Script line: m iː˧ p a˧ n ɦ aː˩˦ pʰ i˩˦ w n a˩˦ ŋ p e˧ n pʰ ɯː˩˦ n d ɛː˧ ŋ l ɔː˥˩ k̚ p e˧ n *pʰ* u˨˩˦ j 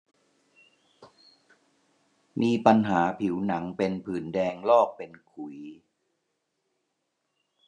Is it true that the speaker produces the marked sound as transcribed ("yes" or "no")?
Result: no